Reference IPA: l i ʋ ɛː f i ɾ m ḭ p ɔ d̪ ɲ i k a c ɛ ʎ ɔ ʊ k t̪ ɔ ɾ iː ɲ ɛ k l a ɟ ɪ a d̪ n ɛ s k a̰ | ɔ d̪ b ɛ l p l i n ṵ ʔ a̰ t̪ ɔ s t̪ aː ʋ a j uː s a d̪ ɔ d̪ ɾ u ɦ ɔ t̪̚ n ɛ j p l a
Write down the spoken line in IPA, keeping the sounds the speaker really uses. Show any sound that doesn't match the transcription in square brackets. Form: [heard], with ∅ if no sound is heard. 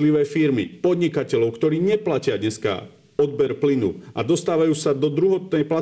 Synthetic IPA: l i ʋ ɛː f i ɾ m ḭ p ɔ d̪ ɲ i k a c ɛ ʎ ɔ ʊ k t̪ ɔ ɾ iː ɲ ɛ [p] l a [c] ɪ a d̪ [ɲ] ɛ s k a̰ | ɔ d̪ b ɛ [ɾ] p l i n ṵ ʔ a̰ [d̪] ɔ s t̪ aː ʋ a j uː s a d̪ ɔ d̪ ɾ u ɦ ɔ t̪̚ n ɛ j p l a